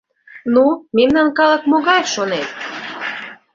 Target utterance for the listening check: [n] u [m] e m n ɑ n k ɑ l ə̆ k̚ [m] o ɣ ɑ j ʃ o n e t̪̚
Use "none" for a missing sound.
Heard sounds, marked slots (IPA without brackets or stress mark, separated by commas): n, m, m